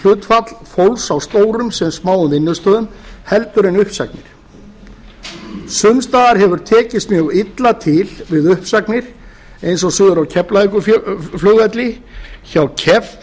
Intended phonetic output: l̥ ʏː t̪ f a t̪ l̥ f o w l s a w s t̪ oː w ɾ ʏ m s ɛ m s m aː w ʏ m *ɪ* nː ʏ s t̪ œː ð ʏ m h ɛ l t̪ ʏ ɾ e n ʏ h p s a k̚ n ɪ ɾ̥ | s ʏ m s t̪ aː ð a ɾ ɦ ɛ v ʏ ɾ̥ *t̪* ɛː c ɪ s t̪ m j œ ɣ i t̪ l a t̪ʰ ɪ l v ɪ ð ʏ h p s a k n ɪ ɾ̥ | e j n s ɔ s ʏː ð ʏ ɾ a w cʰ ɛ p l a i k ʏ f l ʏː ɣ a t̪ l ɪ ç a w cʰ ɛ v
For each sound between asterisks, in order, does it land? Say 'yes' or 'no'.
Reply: yes, no

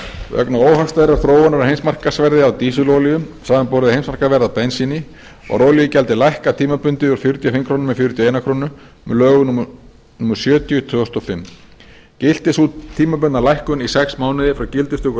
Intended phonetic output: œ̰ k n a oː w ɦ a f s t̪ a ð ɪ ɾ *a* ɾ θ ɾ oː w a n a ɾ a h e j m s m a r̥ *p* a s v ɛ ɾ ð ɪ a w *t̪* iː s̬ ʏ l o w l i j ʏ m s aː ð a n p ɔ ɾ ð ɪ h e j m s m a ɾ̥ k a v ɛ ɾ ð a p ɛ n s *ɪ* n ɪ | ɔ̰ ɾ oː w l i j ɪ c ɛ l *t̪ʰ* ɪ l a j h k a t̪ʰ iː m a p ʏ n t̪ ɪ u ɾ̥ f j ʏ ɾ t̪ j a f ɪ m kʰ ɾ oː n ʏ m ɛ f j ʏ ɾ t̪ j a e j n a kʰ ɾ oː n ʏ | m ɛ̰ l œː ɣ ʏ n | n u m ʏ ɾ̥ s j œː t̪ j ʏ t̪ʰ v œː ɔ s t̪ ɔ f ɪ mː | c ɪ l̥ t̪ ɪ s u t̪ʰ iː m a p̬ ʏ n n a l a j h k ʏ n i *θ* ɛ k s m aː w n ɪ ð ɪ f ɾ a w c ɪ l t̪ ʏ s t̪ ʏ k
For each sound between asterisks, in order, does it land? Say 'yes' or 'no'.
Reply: yes, no, yes, no, no, no

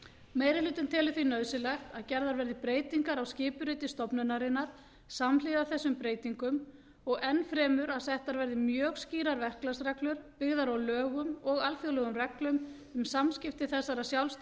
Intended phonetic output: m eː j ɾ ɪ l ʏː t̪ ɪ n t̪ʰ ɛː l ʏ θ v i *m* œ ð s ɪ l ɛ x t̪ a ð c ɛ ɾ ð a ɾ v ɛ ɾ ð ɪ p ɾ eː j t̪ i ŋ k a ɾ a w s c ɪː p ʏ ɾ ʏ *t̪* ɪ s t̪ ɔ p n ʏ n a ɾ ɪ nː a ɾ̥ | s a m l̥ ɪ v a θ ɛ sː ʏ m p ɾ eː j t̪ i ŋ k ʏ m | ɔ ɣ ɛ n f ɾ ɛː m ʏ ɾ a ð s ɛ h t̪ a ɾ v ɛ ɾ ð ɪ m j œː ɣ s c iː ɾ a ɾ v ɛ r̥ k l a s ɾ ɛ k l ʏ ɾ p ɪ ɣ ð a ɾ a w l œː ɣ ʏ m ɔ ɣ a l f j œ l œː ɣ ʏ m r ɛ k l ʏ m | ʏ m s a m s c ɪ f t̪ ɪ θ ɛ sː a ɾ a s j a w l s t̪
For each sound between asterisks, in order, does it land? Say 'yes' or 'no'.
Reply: no, yes

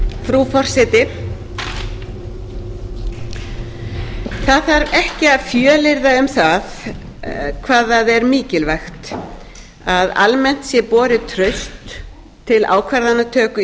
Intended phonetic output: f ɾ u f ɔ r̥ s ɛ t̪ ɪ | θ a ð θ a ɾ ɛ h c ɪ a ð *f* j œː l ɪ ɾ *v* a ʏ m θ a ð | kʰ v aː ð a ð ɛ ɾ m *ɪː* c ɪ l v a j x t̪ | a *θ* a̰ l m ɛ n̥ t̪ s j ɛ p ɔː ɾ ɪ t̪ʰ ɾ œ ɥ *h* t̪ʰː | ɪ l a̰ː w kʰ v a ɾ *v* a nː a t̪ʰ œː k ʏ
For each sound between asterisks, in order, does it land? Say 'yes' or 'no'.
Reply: yes, no, no, no, no, no

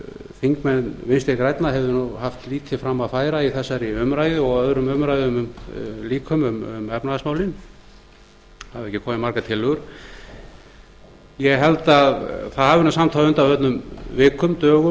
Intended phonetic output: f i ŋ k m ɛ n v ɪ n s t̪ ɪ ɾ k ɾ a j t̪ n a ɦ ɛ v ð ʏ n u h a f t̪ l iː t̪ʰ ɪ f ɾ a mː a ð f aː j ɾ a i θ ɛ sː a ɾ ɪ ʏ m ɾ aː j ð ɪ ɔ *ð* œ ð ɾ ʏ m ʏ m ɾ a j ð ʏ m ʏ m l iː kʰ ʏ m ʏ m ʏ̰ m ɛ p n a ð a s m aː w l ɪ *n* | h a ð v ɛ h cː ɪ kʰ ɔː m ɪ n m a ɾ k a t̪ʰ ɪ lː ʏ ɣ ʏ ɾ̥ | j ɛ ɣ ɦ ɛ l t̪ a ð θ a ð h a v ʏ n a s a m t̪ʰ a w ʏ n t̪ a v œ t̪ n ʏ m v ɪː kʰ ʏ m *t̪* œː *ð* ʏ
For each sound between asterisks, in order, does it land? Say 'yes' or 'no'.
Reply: no, yes, yes, no

